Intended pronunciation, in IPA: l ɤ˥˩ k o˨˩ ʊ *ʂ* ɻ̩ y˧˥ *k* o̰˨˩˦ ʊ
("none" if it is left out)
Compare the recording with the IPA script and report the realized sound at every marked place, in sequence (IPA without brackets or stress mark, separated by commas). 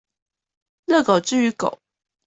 ʈ͡ʂ, k